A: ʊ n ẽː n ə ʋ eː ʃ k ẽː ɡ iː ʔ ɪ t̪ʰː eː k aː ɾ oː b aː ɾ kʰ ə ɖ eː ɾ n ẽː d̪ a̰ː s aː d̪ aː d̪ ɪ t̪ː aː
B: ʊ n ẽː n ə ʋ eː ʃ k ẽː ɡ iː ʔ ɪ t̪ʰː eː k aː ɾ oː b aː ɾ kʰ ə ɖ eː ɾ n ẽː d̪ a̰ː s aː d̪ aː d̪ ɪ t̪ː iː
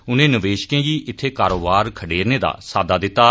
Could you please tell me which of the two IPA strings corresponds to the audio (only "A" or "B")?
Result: A